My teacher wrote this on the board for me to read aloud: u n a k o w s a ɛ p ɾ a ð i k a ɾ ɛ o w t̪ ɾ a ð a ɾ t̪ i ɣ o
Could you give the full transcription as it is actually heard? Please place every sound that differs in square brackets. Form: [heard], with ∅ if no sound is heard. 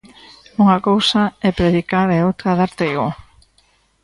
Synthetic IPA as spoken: u [ŋ] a k o w s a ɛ p ɾ [e] ð i k a ɾ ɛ o w t̪ ɾ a ð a ɾ t̪ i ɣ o